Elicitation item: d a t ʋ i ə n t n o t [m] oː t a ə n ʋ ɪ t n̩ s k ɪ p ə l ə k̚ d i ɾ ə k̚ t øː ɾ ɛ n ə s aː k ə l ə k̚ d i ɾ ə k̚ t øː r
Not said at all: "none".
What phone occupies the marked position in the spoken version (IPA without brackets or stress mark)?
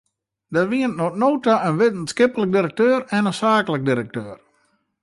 n